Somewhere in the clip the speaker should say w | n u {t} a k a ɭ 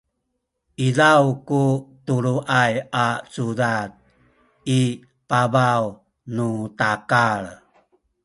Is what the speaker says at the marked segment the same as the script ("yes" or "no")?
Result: yes